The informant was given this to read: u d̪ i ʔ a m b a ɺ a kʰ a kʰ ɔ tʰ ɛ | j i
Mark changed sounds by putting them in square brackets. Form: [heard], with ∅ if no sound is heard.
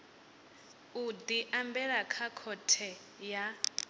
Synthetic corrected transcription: u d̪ i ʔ a m b [ɛ] ɺ a kʰ a kʰ ɔ tʰ ɛ | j [a]